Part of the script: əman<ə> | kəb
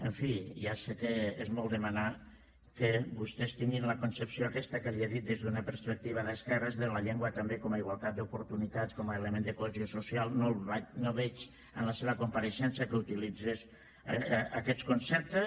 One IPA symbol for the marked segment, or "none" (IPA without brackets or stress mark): a